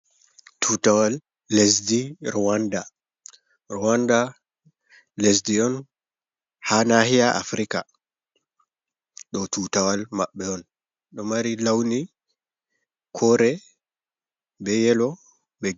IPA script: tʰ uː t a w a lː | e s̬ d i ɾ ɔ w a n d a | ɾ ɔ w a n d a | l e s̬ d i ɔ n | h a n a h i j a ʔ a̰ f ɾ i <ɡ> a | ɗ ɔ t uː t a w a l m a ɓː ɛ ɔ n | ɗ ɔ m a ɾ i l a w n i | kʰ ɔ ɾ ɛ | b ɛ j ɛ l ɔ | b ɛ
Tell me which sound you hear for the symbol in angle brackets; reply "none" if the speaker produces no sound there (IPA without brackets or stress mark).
k